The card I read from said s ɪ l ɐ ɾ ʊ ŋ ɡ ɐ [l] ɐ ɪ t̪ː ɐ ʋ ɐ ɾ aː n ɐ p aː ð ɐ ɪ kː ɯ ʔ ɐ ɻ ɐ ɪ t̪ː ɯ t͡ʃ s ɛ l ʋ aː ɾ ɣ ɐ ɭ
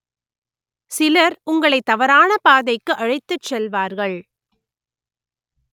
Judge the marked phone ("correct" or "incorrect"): incorrect